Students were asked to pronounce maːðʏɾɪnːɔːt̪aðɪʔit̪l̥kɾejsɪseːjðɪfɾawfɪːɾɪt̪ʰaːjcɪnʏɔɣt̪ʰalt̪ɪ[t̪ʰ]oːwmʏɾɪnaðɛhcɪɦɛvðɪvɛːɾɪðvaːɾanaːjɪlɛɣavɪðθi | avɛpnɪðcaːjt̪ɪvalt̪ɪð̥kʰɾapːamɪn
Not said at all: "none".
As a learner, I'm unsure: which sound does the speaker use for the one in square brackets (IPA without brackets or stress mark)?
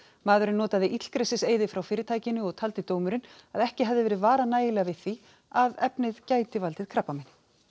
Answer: t̪